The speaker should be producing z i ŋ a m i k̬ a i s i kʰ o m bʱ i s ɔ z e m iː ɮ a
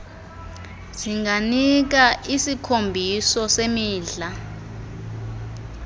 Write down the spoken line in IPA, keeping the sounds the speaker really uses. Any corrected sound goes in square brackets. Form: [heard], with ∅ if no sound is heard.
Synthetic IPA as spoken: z i ŋ a [n] i k̬ a i s i kʰ o m bʱ i s ɔ [s] e m iː ɮ a